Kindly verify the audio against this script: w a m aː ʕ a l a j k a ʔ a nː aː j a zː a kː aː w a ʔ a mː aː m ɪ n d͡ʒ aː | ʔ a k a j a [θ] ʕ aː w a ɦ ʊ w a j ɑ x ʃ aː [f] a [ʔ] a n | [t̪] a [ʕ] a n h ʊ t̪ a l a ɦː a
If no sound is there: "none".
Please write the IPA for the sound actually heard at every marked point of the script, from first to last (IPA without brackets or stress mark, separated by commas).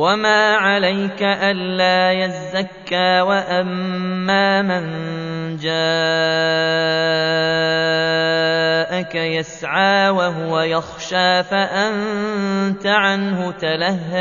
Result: s, f, ʔ, t̪, ʕ